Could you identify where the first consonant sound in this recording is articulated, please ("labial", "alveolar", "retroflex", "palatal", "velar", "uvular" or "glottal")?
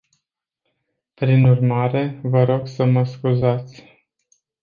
labial